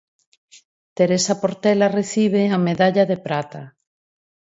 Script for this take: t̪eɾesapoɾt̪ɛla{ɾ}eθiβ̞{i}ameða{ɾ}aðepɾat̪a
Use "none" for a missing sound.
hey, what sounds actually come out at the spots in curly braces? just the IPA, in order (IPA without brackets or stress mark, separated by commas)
r, e, ʎ